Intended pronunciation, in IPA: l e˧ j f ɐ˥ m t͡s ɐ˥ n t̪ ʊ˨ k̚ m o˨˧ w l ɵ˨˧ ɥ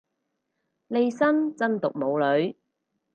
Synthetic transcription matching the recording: l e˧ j s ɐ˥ n t͡s ɐ˥ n t̪ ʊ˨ k̚ m o˨˧ w l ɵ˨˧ ɥ